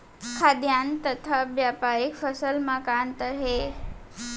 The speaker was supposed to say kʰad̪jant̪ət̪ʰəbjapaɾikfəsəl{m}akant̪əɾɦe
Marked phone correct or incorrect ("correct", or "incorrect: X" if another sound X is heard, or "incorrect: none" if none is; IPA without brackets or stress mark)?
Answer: correct